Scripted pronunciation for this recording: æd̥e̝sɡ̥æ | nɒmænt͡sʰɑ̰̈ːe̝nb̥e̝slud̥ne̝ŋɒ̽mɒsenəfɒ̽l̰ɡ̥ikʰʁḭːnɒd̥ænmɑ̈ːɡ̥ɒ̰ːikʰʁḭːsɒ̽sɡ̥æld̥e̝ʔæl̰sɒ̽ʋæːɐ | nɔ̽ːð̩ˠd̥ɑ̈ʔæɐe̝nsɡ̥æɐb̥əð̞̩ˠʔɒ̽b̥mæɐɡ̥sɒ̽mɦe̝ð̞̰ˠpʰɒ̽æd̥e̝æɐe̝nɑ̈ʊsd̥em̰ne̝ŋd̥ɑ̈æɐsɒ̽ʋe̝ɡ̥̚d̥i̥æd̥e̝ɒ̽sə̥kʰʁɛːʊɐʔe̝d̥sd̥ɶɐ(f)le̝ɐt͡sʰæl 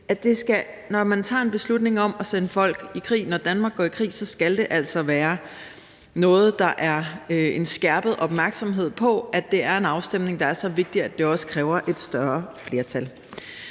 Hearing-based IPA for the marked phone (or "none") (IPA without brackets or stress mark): f